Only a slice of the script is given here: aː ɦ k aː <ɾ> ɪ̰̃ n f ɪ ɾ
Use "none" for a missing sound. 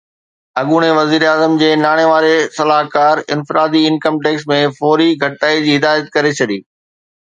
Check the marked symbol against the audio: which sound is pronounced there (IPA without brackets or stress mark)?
ɾ